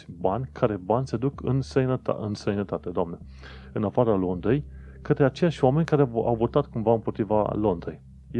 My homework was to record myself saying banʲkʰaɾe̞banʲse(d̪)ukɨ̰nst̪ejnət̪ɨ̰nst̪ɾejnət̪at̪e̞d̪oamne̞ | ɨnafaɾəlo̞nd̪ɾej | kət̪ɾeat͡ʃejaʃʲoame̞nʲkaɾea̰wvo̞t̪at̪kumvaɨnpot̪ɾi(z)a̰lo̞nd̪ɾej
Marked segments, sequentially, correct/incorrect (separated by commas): correct, incorrect